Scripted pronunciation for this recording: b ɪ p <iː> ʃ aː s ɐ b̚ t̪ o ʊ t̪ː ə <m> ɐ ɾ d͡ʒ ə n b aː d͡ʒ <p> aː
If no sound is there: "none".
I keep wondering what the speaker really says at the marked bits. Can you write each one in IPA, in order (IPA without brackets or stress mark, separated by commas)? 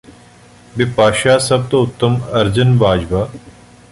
aː, m, b